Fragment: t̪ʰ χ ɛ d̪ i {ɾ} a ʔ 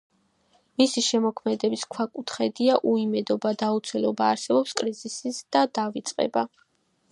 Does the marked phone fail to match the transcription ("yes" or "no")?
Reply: yes